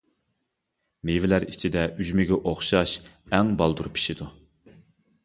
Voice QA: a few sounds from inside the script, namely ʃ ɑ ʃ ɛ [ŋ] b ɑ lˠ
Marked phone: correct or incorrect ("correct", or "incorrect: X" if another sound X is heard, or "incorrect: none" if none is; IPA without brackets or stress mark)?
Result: correct